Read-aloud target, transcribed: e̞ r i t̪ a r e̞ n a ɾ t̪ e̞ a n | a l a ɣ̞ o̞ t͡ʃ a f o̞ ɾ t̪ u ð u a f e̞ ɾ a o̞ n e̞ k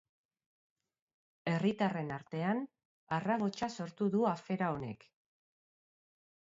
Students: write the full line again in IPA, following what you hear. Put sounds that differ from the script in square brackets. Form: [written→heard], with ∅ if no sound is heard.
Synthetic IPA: e̞ r i t̪ a r e̞ n a ɾ t̪ e̞ a n | a [l→r] a ɣ̞ o̞ t͡ʃ a [f→s] o̞ ɾ t̪ u ð u a f e̞ ɾ a o̞ n e̞ k